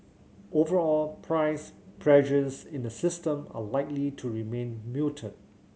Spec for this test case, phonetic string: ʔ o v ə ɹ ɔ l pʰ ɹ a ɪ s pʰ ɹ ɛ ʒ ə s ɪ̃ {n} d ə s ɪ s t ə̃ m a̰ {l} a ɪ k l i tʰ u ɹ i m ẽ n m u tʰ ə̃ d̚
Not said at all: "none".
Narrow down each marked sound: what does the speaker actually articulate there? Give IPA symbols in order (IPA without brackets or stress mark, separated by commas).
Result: n, l